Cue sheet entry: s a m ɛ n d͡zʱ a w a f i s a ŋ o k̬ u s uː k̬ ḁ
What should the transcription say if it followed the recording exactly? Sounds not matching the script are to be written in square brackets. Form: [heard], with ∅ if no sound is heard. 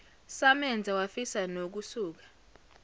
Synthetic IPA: s a m ɛ n d͡zʱ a w a f i s a [n] o k̬ u s uː k̬ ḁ

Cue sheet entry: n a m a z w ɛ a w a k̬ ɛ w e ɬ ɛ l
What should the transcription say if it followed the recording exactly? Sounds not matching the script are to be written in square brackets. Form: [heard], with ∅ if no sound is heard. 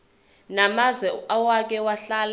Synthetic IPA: n a m a z w ɛ a w a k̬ ɛ w [a] ɬ [a] l

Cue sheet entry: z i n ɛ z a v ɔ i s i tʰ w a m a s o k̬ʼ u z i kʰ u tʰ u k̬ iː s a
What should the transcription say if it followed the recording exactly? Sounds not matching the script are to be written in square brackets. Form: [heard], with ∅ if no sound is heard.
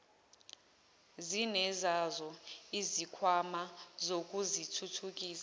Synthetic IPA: z i n ɛ z a [z] ɔ i [z] i [kʰ] w a m a [z] o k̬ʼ u z i [tʰ] u tʰ u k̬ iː s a

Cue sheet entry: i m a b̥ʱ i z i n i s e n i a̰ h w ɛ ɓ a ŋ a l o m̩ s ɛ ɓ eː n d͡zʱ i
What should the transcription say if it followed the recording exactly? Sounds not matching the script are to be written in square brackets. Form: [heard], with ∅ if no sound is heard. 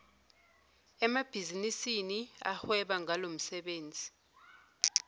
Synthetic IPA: [ɛ] m a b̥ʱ i z i n i s [i] n i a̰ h w ɛ ɓ a ŋ a l o m̩ s ɛ ɓ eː n d͡zʱ i

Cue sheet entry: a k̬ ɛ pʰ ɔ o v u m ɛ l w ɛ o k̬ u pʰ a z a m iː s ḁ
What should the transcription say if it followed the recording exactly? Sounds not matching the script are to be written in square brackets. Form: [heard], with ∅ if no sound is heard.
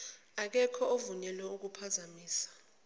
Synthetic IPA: a k̬ ɛ [kʰ] ɔ o v u [ɲ] ɛ l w ɛ [u] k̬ u pʰ a z a m iː s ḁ

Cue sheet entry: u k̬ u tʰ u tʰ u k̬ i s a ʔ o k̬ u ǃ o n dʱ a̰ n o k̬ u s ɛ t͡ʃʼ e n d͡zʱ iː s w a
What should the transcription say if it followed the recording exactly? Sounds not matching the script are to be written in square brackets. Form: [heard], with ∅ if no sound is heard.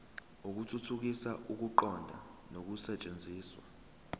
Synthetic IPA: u k̬ u tʰ u tʰ u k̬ i s a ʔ [u] k̬ u ǃ [ɔ] n dʱ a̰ n o k̬ u s ɛ t͡ʃʼ e n d͡zʱ iː s w a

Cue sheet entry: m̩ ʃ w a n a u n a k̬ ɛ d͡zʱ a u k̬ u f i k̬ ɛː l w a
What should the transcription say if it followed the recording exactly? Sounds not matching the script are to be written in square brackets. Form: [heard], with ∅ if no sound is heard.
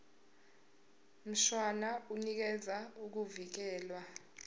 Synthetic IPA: m̩ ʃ w a n a u n [i] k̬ ɛ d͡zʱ a u k̬ u [v] i k̬ ɛː l w a

